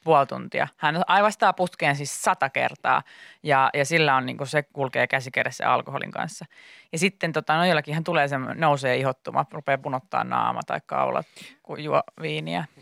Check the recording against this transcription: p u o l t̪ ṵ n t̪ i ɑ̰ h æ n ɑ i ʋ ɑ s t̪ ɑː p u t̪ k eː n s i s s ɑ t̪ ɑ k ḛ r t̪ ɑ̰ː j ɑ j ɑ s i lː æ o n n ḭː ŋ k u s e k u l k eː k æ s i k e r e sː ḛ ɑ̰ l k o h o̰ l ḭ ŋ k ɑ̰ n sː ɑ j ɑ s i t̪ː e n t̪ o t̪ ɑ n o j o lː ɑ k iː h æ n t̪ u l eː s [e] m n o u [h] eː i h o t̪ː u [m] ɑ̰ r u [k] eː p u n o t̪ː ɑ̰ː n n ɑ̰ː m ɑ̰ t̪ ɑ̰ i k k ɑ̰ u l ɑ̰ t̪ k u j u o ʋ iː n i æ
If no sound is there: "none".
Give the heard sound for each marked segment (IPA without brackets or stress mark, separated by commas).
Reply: e, s, m, p